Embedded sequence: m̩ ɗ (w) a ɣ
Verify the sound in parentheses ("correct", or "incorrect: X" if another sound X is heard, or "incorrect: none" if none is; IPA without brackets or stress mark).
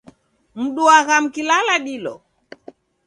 incorrect: u